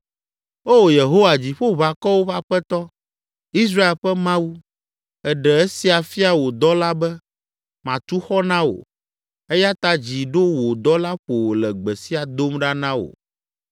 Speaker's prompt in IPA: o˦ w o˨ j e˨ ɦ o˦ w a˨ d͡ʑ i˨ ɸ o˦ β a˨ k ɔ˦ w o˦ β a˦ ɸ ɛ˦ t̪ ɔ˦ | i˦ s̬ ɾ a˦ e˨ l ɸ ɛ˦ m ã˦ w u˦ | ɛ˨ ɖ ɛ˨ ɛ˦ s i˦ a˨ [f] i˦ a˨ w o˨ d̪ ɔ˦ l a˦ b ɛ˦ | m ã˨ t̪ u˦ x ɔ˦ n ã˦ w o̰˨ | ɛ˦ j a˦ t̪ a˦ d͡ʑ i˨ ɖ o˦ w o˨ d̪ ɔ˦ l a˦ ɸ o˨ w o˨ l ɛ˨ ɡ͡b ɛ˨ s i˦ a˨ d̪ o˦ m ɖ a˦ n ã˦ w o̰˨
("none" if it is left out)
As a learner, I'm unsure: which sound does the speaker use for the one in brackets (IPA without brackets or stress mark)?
f